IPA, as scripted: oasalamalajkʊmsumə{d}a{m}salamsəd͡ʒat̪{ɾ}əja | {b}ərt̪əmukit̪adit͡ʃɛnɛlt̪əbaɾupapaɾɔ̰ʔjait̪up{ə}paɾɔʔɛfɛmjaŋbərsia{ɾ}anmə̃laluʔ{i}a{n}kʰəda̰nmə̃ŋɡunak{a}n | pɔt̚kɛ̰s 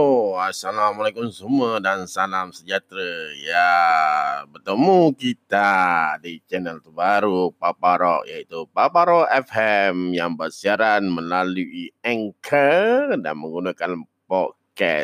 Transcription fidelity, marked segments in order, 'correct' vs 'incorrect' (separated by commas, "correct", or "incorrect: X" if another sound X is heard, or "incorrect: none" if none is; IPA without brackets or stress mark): correct, incorrect: n, correct, correct, incorrect: a, correct, correct, incorrect: ŋ, correct